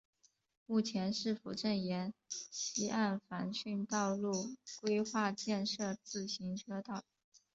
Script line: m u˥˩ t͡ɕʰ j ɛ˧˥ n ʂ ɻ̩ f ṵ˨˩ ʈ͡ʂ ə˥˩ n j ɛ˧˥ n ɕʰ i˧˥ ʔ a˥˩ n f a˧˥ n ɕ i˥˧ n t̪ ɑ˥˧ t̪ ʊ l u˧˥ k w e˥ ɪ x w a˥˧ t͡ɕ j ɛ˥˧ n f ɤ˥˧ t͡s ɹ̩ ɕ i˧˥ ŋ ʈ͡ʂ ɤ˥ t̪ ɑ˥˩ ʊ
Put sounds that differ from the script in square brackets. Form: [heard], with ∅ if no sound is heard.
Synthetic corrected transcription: m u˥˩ t͡ɕʰ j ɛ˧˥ n ʂ ɻ̩ f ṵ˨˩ ʈ͡ʂ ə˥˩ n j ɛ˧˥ n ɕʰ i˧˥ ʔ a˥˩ n f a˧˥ n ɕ [y˥˧] n t̪ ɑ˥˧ [∅] ʊ l [u˥˩] k w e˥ ɪ x w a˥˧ t͡ɕ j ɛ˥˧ n [ʂ] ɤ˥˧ t͡s ɹ̩ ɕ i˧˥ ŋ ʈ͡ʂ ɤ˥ t̪ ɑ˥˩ ʊ